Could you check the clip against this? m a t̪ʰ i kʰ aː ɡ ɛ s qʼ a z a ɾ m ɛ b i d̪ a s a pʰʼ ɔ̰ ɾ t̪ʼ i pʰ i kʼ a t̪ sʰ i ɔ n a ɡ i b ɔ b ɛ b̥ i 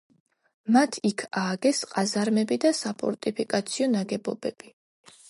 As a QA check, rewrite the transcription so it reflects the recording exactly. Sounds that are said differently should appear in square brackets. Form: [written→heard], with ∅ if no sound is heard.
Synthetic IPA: m a t̪ʰ i kʰ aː ɡ ɛ s qʼ a z a ɾ m ɛ b i d̪ a s a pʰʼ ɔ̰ ɾ t̪ʼ i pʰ i kʼ a t̪ sʰ i ɔ n a ɡ [i→ɛ] b ɔ b ɛ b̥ i